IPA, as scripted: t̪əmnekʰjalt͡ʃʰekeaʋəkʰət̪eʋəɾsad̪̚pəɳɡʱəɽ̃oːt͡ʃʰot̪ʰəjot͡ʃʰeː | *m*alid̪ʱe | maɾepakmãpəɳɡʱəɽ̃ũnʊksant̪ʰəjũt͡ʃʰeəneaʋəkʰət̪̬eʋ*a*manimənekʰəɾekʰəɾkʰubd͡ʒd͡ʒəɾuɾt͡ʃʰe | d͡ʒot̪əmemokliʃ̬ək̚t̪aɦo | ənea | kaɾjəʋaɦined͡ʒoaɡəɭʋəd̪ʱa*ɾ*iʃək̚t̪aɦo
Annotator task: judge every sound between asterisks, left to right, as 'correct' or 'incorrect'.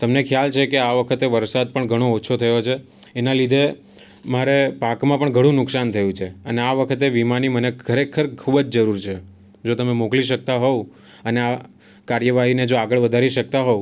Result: incorrect, incorrect, correct

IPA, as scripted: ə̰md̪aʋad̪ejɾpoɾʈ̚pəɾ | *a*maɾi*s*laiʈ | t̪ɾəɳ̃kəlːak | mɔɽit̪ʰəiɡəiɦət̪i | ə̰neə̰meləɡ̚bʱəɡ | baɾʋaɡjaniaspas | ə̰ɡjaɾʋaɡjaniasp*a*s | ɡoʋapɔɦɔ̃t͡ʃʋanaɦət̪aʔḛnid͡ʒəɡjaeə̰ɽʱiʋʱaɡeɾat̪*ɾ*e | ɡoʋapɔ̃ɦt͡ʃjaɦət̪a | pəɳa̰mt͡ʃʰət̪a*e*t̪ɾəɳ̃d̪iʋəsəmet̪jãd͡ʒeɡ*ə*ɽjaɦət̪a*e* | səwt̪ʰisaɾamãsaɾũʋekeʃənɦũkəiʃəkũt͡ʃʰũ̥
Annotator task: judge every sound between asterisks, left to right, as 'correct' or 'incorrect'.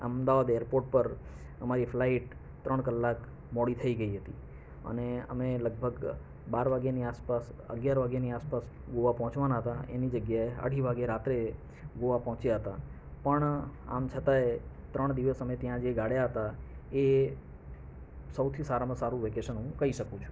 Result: incorrect, incorrect, correct, correct, correct, incorrect, correct

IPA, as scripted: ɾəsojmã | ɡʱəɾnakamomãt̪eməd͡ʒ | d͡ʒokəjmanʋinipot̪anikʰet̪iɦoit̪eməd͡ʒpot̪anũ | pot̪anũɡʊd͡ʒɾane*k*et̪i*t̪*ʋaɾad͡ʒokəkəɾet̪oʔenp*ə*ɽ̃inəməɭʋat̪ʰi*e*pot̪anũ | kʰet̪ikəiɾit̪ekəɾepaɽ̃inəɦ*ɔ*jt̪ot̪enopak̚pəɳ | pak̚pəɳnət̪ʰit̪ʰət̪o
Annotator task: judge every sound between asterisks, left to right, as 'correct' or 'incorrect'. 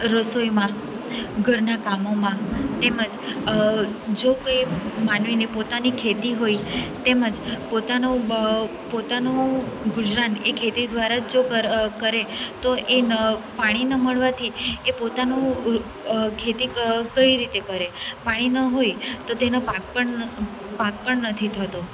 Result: incorrect, incorrect, incorrect, correct, incorrect

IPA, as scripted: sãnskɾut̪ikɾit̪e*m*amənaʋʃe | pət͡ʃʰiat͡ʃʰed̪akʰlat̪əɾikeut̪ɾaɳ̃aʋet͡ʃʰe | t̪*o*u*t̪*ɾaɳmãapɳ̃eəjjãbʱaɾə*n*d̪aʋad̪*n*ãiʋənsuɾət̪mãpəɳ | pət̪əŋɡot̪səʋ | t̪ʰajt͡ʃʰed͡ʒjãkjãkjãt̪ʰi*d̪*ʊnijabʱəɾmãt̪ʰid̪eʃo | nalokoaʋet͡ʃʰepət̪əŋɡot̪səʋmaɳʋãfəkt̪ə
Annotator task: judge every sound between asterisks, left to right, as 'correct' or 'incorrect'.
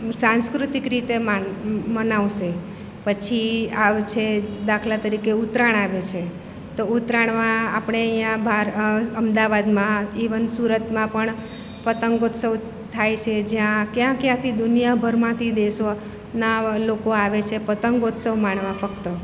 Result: correct, correct, correct, incorrect, incorrect, correct

